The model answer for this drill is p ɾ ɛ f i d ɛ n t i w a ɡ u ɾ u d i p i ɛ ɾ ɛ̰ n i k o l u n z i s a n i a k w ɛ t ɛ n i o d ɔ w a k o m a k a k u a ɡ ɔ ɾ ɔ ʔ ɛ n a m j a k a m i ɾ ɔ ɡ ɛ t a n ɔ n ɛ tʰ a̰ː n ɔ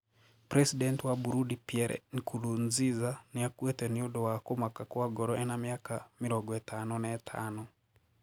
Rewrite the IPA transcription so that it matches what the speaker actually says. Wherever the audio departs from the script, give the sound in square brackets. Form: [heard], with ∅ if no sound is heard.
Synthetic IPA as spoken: p ɾ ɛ [s] i d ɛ n t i w a [b] u ɾ u d i p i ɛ ɾ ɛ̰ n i k [u] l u n z i [z] a n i a k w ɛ t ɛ n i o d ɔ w a k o m a k a k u a ɡ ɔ ɾ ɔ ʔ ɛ n a m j a k a m i ɾ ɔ ɡ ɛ t a n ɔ n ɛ tʰ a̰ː n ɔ